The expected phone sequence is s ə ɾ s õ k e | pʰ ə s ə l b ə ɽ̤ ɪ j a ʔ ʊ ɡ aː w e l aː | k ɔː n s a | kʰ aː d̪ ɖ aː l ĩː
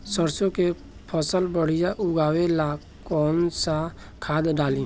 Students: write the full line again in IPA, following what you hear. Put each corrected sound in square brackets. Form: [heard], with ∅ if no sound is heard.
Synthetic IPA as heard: s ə ɾ s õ k e | pʰ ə s ə l b ə ɽ̤ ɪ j a ʔ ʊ ɡ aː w e l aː | k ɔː n s a | kʰ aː d̪ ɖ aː l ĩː